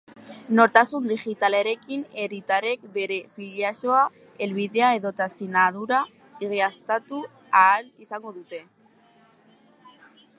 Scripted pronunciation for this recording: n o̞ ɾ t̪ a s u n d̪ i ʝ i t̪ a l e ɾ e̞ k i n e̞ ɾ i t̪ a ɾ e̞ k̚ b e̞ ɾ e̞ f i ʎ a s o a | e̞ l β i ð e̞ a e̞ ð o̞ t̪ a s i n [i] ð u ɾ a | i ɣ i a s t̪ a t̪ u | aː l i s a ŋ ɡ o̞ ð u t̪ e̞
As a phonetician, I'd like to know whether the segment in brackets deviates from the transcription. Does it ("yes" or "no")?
yes